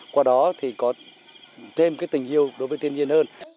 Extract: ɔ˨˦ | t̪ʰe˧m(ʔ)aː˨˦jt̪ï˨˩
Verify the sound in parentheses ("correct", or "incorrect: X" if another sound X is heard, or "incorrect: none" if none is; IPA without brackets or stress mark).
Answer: incorrect: k